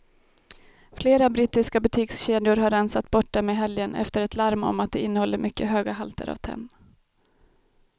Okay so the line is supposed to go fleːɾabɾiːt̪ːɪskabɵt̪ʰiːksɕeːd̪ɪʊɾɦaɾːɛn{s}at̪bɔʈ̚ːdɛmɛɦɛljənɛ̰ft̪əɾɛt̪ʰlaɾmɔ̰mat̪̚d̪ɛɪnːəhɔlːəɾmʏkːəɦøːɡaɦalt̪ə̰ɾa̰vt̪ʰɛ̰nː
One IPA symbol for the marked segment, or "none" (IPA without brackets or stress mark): s